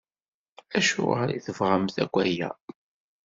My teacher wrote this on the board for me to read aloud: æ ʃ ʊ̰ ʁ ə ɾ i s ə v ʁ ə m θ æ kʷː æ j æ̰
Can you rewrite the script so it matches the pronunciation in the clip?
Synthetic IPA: æ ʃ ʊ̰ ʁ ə ɾ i θ ə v ʁ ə m θ æ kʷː æ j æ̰